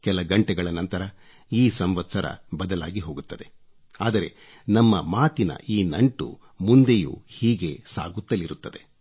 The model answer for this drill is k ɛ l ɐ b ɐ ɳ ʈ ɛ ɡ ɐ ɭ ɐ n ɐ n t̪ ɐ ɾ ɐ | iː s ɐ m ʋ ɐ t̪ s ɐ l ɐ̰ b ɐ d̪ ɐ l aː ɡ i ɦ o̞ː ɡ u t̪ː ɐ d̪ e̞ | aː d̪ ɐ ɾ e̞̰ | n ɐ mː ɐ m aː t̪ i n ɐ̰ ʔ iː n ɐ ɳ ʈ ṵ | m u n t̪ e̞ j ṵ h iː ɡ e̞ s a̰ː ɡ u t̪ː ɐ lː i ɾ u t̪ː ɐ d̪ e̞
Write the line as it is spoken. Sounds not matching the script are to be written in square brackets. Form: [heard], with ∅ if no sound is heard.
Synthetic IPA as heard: k ɛ l ɐ [ɡ] ɐ ɳ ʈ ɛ ɡ ɐ ɭ ɐ n ɐ n t̪ ɐ ɾ ɐ | iː s ɐ m ʋ ɐ t̪ s ɐ [ɾ] ɐ̰ b ɐ d̪ ɐ l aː ɡ i ɦ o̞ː ɡ u t̪ː ɐ d̪ e̞ | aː d̪ ɐ ɾ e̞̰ | n ɐ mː ɐ m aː t̪ i n ɐ̰ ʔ iː n ɐ ɳ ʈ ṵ | m u n [d̪] e̞ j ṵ h iː ɡ e̞ s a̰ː ɡ u t̪ː ɐ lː i ɾ u t̪ː ɐ d̪ e̞

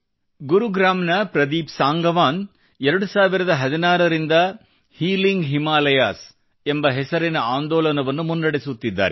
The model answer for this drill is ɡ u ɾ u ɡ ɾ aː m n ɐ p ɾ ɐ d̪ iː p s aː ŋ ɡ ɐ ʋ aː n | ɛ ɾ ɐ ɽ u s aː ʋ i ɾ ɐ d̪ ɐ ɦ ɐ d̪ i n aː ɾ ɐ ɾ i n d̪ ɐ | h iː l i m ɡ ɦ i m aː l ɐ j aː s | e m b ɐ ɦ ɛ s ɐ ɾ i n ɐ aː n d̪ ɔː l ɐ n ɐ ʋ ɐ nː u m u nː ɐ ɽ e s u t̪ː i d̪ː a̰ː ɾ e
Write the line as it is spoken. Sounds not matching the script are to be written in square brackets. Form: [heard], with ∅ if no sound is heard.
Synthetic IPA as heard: ɡ u ɾ u ɡ ɾ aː m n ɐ p ɾ ɐ d̪ iː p s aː ŋ ɡ ɐ ʋ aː n | ɛ ɾ ɐ ɽ u s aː ʋ i ɾ ɐ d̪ ɐ ɦ ɐ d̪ i n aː ɾ ɐ ɾ i n d̪ ɐ | h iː l i [ŋ] ɡ ɦ i m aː l ɐ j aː s | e m b ɐ ɦ ɛ s ɐ ɾ i n ɐ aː n d̪ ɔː l ɐ n ɐ ʋ ɐ nː u m u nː ɐ ɽ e s u t̪ː i d̪ː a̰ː ɾ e

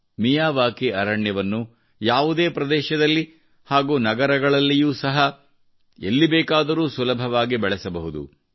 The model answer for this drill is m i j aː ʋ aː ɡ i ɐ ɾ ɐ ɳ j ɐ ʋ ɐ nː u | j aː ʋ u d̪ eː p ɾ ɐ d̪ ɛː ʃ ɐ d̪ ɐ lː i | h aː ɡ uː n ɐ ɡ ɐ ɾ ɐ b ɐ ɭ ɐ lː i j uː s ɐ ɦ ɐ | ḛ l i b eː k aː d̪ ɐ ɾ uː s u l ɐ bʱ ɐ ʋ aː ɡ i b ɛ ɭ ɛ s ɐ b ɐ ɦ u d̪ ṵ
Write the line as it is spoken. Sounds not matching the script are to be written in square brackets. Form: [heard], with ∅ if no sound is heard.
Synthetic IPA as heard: m i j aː ʋ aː [k] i ɐ ɾ ɐ ɳ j ɐ ʋ ɐ nː u | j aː ʋ u d̪ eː p ɾ ɐ d̪ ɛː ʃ ɐ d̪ ɐ lː i | h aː ɡ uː n ɐ ɡ ɐ ɾ ɐ [ɡ] ɐ ɭ ɐ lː i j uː s ɐ ɦ ɐ | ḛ [lː] i b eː k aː d̪ ɐ ɾ uː s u l ɐ bʱ ɐ ʋ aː ɡ i b ɛ ɭ ɛ s ɐ b ɐ ɦ u d̪ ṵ

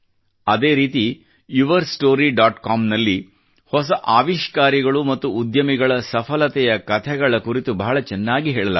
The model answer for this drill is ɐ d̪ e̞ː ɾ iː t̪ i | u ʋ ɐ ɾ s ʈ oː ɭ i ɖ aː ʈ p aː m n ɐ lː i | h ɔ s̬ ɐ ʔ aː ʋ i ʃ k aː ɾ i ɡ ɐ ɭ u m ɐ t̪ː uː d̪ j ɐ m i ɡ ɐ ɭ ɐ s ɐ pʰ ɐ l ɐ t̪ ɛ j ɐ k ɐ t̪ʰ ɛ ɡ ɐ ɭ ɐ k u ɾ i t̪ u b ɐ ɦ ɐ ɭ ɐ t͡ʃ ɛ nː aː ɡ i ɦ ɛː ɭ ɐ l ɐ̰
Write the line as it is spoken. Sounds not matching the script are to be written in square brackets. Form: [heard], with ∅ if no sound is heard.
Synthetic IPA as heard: ɐ d̪ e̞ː ɾ iː t̪ i | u ʋ ɐ ɾ s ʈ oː [ɾ] i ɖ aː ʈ [k] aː m n ɐ lː i | h ɔ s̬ ɐ ʔ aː ʋ i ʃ k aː ɾ i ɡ ɐ ɭ u m ɐ t̪ː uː d̪ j ɐ m i ɡ ɐ ɭ ɐ s ɐ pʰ ɐ l ɐ t̪ ɛ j ɐ k ɐ t̪ʰ ɛ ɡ ɐ ɭ ɐ k u ɾ i t̪ u b ɐ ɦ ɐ ɭ ɐ t͡ʃ ɛ nː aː ɡ i ɦ ɛː ɭ ɐ l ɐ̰

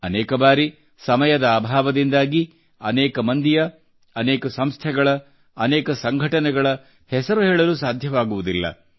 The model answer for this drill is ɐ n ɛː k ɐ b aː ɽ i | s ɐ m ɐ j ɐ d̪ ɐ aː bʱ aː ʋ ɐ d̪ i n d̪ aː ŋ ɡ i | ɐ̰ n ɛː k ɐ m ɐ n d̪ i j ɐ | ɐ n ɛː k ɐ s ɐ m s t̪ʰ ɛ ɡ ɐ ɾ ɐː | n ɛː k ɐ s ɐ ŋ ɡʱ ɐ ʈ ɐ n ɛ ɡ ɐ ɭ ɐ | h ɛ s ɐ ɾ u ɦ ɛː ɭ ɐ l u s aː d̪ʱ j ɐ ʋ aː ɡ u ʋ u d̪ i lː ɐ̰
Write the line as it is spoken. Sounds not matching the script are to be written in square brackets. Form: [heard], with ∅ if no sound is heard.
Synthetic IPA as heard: ɐ n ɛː k ɐ b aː [ɾ] i | s ɐ m ɐ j ɐ d̪ ɐ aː bʱ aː ʋ ɐ d̪ i n d̪ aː [∅] ɡ i | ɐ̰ n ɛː k ɐ m ɐ n d̪ i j ɐ | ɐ n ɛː k ɐ s ɐ m s t̪ʰ ɛ ɡ ɐ [ɭ] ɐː | n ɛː k ɐ s ɐ ŋ ɡʱ ɐ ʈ ɐ n ɛ ɡ ɐ ɭ ɐ | h ɛ s ɐ ɾ u ɦ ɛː ɭ ɐ l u s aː d̪ʱ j ɐ ʋ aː ɡ u ʋ u d̪ i lː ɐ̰

